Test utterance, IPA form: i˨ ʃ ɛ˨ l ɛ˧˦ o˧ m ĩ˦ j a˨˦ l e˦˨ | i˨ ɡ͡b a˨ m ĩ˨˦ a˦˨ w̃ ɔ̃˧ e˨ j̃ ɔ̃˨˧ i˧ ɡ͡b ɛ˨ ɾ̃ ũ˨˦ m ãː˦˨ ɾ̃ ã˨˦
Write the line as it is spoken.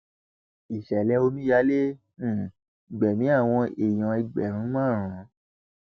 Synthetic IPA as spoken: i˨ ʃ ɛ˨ l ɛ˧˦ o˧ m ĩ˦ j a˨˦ l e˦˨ | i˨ ɡ͡b ɛ˨ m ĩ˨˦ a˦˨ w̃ ɔ̃˧ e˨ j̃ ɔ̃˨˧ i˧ ɡ͡b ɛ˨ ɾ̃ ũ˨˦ m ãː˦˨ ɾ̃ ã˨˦